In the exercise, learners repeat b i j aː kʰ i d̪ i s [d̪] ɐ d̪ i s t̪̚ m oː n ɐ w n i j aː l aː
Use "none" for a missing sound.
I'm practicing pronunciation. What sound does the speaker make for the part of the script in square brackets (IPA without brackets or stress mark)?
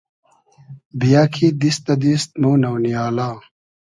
t̪